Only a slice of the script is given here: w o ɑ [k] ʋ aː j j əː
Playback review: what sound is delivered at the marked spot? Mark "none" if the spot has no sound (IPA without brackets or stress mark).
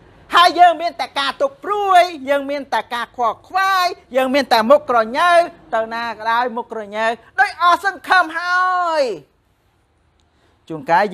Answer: kʰ